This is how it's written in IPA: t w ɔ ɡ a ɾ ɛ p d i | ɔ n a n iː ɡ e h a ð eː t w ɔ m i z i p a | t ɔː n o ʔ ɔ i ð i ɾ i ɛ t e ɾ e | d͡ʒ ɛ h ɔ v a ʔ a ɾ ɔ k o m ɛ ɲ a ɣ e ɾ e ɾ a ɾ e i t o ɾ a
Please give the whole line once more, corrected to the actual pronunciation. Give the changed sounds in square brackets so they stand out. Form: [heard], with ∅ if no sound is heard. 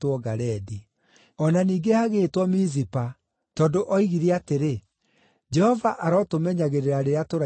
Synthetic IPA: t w ɔ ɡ a ɾ ɛ [∅] d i | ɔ n a n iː ɡ e h a [ɣ] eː t w ɔ m i z i p a | t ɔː [d] o ʔ ɔ i [ɣ] i ɾ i [a] t e ɾ e | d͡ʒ ɛ h ɔ v a ʔ a ɾ ɔ [t] o m ɛ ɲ a ɣ e ɾ e ɾ a ɾ e [a] t o ɾ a